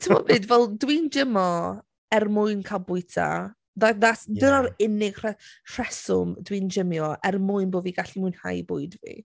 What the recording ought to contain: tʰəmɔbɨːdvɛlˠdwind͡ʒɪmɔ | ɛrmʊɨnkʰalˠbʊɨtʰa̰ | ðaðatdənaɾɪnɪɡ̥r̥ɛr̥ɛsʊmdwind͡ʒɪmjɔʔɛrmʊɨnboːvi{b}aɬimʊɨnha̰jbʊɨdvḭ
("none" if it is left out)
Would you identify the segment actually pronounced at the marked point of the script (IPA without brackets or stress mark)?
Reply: ɡ